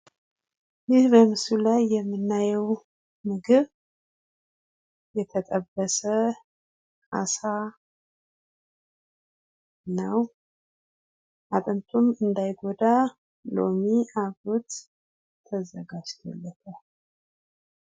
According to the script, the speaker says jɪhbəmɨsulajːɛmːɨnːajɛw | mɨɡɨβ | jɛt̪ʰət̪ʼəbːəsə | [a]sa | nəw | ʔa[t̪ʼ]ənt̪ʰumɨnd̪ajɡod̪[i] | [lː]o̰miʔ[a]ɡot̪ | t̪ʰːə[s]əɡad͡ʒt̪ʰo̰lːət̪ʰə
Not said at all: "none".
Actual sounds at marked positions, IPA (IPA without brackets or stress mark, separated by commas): a, t̪ʼ, a, l, a, z